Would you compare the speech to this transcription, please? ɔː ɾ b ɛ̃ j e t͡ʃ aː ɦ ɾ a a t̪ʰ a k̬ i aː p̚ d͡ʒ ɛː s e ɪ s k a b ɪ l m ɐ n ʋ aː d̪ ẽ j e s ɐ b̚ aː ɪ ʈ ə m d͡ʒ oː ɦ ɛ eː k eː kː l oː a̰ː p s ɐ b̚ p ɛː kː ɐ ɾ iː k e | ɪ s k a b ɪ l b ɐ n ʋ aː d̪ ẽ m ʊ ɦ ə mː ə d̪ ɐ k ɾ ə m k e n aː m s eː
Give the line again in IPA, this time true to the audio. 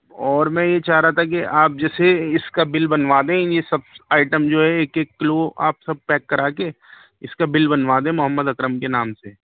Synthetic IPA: ɔː ɾ m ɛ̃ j e t͡ʃ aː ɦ ɾ a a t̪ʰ a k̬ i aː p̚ d͡ʒ ɛː s e ɪ s k a b ɪ l b ɐ n ʋ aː d̪ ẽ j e s ɐ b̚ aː ɪ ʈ ə m d͡ʒ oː ɦ ɛ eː k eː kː l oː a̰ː p s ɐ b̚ p ɛː kː ɐ ɾ aː k e | ɪ s k a b ɪ l b ɐ n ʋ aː d̪ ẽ m ʊ ɦ ə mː ə d̪ ɐ k ɾ ə m k e n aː m s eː